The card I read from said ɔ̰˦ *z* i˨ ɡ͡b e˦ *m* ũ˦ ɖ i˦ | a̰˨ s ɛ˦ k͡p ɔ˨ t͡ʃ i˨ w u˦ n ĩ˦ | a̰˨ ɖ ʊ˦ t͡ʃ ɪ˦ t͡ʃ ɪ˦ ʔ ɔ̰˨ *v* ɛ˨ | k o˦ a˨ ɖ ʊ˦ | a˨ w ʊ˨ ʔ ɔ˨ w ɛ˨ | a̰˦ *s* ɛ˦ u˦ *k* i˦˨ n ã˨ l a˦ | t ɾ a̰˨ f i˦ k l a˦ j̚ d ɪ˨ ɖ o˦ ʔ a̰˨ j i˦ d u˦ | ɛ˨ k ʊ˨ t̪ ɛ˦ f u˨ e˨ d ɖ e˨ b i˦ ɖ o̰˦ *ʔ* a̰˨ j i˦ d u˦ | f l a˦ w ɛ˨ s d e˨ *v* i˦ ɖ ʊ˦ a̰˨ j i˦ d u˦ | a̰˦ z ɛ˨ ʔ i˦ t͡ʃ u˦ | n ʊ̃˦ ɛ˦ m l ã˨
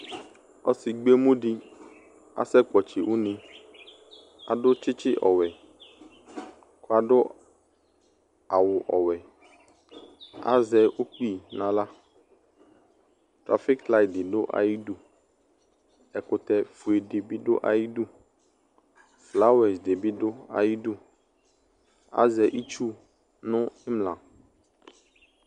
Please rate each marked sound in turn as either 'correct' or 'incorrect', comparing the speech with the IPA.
incorrect: s, correct, incorrect: w, incorrect: z, incorrect: k͡p, correct, incorrect: b

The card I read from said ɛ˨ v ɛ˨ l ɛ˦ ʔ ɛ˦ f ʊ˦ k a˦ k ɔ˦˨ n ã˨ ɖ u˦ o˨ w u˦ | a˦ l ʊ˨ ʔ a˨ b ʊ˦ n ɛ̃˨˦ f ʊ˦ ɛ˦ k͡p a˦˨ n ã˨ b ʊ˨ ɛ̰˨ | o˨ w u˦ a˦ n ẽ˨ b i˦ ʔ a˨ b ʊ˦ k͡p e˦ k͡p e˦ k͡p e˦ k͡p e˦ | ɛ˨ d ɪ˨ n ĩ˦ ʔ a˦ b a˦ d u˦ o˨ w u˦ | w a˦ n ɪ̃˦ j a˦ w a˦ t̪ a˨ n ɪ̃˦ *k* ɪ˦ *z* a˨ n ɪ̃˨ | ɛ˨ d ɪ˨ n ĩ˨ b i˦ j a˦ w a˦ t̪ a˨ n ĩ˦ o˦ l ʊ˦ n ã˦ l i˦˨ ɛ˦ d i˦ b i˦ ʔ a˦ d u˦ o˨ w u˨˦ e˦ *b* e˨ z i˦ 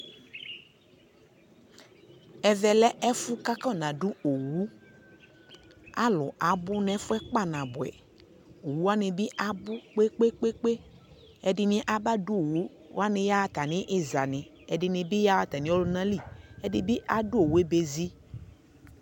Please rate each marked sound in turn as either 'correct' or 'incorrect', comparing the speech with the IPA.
incorrect: ʔ, correct, correct

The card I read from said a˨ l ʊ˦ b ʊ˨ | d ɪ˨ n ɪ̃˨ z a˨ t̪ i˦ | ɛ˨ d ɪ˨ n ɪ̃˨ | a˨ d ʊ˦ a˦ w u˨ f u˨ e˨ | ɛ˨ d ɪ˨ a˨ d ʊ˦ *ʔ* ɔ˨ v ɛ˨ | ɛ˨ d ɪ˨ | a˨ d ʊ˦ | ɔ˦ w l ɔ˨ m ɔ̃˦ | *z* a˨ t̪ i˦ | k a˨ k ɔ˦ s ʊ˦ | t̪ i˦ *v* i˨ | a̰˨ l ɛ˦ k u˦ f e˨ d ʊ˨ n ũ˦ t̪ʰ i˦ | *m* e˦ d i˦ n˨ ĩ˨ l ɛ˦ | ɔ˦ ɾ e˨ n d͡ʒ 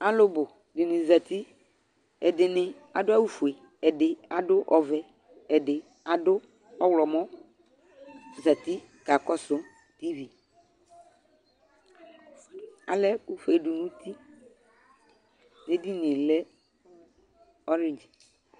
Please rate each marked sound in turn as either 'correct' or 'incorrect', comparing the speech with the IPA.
correct, correct, correct, incorrect: n

